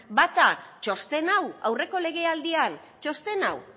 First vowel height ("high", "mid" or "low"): low